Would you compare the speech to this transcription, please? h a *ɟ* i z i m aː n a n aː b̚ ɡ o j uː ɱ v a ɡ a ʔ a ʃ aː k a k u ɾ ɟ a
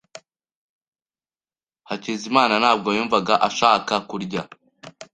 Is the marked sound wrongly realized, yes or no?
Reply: yes